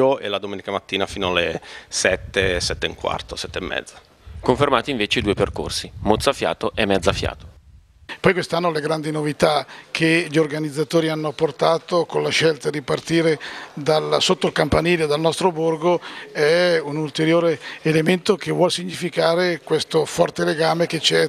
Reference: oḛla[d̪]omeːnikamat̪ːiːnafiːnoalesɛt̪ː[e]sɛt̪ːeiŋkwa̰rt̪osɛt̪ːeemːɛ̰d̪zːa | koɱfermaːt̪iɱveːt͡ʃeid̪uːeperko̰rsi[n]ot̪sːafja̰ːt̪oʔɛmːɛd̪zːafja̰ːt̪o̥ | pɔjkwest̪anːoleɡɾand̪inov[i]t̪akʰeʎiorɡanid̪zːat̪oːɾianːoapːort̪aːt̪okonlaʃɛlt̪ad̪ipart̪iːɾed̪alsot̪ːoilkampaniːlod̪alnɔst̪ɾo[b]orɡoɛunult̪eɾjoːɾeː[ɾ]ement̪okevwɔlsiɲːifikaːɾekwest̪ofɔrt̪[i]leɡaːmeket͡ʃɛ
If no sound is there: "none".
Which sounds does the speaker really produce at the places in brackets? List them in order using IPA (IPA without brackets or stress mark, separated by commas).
d̪, e, m, i, b, l, e